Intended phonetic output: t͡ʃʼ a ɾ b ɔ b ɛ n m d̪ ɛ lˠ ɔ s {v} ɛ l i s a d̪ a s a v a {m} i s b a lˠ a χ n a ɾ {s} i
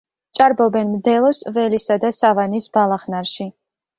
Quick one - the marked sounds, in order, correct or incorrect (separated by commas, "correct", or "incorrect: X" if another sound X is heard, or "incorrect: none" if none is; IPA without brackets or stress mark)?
correct, incorrect: n, incorrect: ʃ